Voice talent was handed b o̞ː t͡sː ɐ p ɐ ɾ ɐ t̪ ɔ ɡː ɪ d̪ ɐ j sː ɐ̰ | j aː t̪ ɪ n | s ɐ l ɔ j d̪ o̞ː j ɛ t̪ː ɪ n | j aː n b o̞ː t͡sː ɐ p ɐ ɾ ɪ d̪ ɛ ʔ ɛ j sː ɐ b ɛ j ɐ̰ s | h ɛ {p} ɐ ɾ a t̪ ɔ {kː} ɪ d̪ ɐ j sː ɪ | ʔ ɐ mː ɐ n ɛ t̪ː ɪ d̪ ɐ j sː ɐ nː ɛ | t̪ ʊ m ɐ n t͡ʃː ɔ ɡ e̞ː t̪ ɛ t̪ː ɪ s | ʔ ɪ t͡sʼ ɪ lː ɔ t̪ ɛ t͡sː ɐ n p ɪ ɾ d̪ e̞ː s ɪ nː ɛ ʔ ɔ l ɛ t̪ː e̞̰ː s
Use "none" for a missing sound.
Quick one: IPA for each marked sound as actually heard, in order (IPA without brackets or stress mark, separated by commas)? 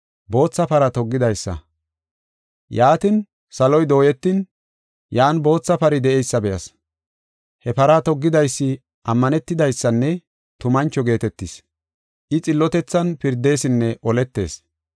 p, ɡː